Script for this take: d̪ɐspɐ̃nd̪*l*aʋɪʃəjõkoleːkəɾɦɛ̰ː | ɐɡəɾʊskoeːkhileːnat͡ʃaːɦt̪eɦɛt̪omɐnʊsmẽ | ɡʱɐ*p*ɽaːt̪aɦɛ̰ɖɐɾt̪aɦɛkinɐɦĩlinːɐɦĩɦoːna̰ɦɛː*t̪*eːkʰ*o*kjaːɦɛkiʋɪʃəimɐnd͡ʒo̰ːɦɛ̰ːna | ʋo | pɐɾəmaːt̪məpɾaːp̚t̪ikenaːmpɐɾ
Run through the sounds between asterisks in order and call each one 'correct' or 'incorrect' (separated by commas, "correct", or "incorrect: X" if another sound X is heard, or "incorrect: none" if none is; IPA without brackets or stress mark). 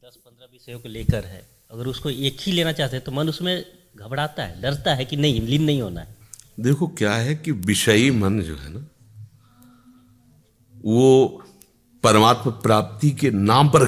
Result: incorrect: ɾ, incorrect: b, incorrect: d̪, correct